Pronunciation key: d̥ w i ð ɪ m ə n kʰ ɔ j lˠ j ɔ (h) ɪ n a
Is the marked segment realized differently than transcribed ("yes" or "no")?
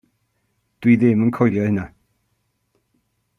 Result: no